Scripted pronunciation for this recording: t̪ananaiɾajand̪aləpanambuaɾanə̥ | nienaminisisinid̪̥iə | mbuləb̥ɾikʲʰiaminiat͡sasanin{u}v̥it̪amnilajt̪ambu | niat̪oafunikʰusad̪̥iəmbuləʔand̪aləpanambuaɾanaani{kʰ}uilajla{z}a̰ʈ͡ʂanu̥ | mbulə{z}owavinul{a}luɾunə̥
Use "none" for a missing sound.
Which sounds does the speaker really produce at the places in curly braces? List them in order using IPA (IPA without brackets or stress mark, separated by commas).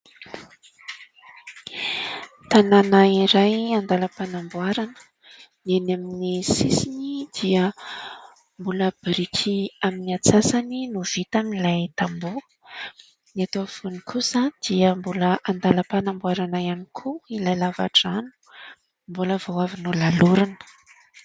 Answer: u, kʰ, v, v, a